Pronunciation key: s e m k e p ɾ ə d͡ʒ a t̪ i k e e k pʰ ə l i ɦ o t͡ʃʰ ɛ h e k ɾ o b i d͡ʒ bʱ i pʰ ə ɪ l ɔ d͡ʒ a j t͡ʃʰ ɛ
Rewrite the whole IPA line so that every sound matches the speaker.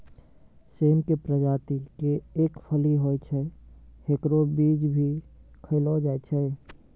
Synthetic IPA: s e m k e p ɾ ə d͡ʒ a t̪ i k e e k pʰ ə l i ɦ o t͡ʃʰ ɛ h e k ɾ o b i d͡ʒ bʱ i kʰ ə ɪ l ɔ d͡ʒ a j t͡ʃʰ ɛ